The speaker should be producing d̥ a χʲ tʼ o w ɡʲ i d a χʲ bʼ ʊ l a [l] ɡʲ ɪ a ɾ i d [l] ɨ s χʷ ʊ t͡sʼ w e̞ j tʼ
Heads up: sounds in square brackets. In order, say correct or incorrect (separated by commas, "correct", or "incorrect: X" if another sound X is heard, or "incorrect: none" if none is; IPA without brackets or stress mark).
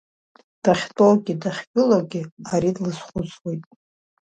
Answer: incorrect: none, correct